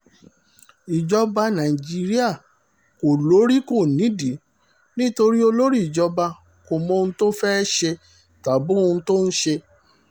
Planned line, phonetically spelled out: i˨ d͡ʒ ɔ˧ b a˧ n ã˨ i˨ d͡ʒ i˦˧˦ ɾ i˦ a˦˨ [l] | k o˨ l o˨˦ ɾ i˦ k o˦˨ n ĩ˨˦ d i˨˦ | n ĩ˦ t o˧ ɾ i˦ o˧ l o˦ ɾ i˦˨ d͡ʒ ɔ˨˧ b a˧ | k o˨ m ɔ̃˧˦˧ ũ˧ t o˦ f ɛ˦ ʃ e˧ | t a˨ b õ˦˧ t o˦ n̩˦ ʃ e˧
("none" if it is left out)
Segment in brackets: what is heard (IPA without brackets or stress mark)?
none